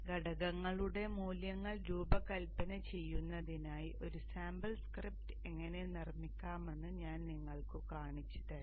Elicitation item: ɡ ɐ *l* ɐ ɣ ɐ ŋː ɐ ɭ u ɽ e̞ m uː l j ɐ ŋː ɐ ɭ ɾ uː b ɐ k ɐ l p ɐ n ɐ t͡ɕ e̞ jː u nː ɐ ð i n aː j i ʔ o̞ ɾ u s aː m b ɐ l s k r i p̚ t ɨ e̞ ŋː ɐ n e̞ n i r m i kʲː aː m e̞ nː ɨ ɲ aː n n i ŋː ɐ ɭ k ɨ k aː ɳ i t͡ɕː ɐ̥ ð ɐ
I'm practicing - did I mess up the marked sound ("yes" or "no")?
yes